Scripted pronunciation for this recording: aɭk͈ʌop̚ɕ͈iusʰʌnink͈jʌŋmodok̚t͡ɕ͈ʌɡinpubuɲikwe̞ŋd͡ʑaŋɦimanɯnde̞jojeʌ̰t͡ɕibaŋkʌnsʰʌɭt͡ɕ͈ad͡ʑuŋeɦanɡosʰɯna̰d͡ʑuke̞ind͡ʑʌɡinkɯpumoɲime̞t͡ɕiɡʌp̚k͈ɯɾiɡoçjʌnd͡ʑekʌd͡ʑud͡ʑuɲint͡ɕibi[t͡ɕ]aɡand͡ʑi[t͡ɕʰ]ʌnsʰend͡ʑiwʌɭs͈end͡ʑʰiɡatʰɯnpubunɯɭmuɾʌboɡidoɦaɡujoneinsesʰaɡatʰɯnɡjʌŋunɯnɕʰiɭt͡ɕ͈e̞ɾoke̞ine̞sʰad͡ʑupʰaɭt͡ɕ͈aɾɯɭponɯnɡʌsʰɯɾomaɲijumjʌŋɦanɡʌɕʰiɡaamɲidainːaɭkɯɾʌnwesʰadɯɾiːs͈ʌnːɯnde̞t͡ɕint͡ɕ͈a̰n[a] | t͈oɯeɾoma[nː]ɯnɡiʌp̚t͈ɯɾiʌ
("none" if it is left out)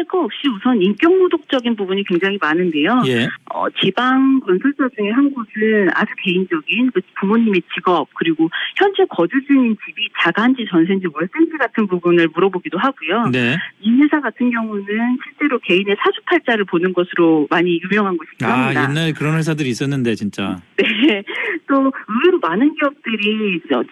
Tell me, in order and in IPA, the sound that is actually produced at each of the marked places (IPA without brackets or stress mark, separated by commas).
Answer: t͡ɕ, t͡ɕ, e, n